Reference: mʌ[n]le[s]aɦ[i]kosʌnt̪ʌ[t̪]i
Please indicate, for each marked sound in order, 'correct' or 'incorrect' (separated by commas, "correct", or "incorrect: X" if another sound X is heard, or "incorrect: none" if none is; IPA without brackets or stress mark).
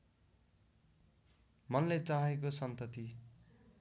correct, incorrect: t͡s, incorrect: e, correct